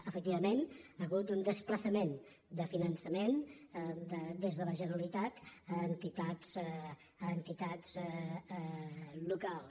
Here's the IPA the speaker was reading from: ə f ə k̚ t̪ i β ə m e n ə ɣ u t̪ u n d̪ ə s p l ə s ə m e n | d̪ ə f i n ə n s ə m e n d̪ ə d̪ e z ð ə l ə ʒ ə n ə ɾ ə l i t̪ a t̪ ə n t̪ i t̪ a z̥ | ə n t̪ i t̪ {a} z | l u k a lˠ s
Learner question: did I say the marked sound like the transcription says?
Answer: yes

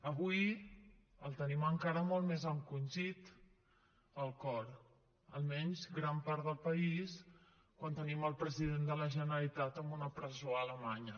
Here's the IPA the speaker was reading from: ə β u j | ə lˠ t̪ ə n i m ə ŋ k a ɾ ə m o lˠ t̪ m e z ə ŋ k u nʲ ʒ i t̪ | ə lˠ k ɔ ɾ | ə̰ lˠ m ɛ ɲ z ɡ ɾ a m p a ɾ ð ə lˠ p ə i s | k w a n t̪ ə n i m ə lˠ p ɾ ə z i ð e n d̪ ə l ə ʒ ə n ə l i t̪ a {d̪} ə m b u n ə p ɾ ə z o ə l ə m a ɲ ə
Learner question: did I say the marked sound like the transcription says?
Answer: no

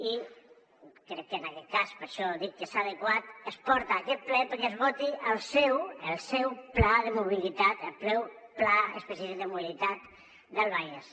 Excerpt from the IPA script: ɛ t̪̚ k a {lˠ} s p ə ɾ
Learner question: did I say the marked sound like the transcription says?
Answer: no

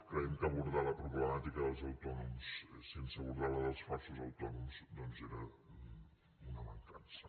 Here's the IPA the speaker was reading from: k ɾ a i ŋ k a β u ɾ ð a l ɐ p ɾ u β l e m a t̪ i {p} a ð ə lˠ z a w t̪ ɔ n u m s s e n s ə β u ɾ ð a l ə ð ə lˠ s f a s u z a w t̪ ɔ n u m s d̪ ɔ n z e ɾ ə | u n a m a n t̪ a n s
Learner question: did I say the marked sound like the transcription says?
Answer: no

